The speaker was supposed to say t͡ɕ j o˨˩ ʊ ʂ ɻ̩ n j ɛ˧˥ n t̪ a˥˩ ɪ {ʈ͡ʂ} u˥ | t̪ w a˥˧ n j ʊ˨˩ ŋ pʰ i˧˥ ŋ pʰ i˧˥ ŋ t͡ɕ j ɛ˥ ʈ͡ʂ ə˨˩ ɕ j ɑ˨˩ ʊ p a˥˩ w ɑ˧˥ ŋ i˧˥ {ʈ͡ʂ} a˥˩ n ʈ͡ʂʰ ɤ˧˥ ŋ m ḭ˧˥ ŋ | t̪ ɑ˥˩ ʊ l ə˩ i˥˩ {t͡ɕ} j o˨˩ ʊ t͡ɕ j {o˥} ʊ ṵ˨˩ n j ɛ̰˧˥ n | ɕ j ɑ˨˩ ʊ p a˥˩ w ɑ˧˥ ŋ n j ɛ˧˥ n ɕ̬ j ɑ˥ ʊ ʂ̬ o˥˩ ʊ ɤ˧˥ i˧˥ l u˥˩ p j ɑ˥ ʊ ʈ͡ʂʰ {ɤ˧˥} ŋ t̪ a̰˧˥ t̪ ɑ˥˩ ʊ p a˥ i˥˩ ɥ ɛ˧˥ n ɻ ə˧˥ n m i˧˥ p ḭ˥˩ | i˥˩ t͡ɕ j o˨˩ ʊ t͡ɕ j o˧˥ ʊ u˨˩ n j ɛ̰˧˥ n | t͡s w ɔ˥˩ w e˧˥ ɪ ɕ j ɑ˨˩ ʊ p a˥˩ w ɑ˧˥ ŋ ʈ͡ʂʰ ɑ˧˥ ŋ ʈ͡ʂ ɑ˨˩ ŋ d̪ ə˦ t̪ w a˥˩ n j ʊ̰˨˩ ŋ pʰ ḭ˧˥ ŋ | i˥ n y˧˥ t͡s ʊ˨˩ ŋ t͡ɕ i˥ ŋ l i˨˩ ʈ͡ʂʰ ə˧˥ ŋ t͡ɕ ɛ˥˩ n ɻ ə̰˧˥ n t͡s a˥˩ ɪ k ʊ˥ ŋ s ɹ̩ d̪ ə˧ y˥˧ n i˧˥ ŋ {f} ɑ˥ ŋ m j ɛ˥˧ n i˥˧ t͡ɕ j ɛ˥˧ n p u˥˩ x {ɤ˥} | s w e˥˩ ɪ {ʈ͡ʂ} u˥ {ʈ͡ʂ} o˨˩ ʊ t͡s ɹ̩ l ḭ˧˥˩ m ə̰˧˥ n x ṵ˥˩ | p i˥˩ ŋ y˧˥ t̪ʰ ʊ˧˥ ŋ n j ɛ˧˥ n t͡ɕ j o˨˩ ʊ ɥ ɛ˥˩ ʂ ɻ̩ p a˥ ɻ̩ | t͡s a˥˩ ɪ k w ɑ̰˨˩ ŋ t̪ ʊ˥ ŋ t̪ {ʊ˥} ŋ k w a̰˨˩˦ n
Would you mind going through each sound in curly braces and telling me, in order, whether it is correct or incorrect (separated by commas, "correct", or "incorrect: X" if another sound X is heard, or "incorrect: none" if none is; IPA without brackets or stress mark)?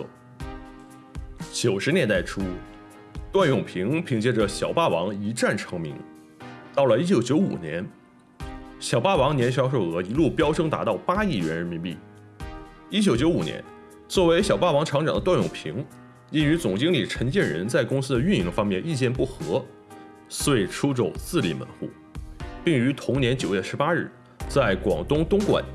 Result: incorrect: ʈ͡ʂʰ, correct, correct, incorrect: o˧˥, incorrect: ɤ˥, correct, incorrect: ɤ˧˥, incorrect: ʈ͡ʂʰ, correct, correct